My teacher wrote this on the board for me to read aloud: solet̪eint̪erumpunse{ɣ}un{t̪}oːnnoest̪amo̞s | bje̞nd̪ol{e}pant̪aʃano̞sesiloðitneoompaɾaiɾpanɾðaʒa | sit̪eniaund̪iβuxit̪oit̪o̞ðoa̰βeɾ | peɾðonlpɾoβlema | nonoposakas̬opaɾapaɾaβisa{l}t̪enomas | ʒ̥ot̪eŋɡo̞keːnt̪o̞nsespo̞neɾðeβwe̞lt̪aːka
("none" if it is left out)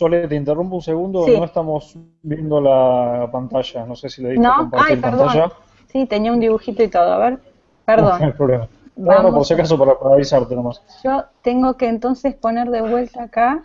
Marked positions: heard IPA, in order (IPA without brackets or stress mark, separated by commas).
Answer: ɣ, d̪, a, ɾ